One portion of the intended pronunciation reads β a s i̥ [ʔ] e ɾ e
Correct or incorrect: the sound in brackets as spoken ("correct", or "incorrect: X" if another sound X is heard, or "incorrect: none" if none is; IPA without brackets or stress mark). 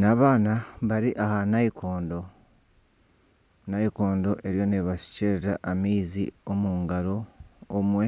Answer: incorrect: c